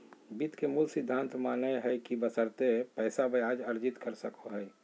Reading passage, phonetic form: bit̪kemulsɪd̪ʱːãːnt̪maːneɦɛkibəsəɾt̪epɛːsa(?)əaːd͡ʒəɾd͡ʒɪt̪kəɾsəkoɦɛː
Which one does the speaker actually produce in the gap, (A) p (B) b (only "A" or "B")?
B